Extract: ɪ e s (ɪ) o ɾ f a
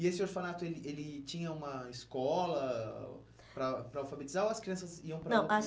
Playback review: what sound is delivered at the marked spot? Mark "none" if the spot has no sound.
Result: ɪ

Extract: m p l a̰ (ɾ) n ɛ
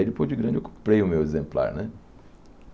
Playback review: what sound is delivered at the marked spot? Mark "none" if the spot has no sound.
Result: ɾ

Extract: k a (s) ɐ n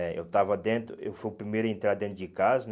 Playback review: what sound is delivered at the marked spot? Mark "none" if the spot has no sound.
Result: z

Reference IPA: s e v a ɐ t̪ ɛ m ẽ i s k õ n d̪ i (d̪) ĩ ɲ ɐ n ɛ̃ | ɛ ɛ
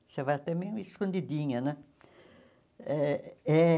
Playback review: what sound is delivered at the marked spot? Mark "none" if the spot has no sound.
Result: d̪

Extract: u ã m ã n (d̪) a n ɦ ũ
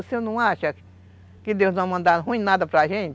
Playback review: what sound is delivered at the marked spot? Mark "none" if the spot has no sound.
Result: d̪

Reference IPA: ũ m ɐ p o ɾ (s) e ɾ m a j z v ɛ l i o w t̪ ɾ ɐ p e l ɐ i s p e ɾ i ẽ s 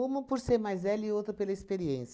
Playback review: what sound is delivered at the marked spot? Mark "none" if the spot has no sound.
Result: s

